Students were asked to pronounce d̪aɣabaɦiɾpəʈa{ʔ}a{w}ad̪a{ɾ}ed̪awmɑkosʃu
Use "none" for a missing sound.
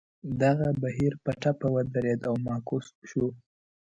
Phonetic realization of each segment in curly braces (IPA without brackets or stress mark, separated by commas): p, w, ɾ